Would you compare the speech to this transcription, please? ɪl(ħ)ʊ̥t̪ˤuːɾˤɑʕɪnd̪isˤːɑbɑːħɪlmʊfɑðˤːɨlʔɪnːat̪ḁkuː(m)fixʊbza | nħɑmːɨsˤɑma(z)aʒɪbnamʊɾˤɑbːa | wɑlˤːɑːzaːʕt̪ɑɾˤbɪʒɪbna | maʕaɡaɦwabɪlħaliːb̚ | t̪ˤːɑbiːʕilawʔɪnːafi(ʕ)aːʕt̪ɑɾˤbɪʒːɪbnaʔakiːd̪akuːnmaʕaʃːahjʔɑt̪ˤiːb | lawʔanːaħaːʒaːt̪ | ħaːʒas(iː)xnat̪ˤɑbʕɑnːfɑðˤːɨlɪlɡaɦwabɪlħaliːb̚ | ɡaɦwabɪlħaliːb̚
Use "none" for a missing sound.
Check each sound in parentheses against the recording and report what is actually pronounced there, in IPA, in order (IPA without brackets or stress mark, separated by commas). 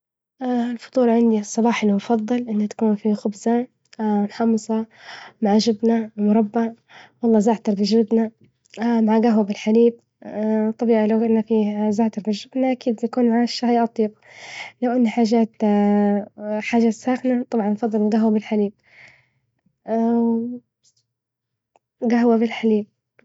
f, n, ʕ, z, aː